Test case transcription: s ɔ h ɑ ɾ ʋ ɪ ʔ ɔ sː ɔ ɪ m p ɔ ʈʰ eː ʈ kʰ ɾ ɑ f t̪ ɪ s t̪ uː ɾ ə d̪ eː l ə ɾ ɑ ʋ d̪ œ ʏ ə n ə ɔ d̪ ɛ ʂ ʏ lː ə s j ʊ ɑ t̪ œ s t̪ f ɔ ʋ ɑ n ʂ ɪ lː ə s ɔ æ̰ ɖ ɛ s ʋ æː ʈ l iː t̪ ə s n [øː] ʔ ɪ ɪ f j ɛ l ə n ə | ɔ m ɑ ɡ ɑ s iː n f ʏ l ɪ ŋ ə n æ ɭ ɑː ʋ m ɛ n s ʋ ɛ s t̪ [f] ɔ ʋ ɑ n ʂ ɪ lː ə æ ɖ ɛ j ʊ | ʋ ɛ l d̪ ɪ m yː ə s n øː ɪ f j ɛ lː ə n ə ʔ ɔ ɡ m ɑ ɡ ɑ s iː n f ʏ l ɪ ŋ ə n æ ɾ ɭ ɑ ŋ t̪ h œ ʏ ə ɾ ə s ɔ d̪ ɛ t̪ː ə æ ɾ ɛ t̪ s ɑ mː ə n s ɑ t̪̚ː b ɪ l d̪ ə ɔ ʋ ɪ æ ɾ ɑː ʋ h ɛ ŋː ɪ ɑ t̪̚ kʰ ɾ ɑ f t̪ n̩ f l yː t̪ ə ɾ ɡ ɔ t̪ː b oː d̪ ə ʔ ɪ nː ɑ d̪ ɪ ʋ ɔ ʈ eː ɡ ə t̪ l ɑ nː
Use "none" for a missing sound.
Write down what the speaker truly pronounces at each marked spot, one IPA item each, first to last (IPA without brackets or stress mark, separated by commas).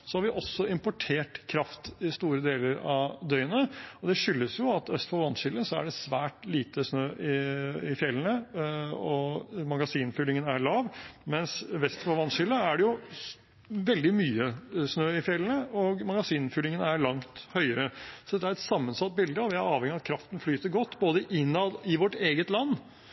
øː, f